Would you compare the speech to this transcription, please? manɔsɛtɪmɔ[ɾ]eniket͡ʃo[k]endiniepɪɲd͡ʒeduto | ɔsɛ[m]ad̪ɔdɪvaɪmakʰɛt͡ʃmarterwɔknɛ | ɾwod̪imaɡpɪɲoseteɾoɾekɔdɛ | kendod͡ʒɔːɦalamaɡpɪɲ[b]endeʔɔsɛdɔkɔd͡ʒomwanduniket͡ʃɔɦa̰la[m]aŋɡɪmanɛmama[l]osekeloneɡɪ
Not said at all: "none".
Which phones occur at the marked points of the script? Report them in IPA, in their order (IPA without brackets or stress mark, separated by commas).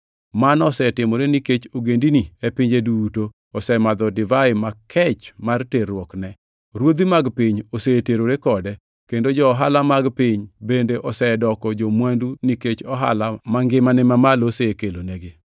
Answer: ɾ, ɡ, m, b, m, l